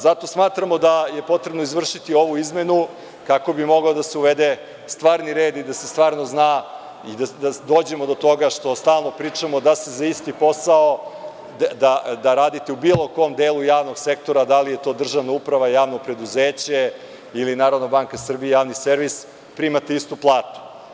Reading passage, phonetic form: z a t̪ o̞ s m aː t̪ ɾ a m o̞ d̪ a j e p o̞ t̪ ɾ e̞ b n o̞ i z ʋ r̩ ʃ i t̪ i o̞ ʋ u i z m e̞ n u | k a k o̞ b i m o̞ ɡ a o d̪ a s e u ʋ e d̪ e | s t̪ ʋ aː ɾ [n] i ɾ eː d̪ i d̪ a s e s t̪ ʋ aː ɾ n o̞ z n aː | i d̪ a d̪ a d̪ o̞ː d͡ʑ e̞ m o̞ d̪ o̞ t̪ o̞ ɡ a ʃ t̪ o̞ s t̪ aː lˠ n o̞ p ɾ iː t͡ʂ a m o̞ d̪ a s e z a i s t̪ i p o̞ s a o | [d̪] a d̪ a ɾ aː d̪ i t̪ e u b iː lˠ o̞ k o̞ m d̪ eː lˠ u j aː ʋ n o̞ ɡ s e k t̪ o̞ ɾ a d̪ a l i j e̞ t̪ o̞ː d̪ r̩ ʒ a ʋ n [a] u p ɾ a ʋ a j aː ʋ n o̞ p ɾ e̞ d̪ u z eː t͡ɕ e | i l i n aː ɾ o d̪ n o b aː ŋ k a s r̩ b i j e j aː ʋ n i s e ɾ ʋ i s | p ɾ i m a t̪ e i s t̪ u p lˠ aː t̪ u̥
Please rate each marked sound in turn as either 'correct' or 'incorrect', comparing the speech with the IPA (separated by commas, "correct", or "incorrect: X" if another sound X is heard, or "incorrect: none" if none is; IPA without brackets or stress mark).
correct, correct, correct